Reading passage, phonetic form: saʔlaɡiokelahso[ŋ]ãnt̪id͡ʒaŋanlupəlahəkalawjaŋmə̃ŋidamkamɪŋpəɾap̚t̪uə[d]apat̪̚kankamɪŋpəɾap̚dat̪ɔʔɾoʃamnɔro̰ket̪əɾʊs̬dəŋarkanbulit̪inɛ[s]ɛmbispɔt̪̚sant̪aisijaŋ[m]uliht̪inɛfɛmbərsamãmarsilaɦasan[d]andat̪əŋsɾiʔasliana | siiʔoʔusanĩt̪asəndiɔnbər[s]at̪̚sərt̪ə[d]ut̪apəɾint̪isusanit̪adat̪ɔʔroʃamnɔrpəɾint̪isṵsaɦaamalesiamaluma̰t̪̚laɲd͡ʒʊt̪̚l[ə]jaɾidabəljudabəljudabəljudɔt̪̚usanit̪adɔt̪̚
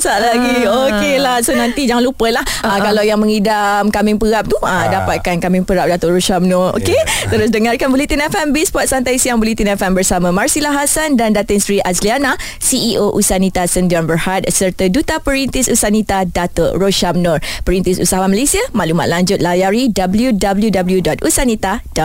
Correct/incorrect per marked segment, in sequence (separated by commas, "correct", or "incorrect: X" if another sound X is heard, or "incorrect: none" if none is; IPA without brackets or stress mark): incorrect: n, correct, incorrect: f, incorrect: b, correct, incorrect: h, correct, incorrect: a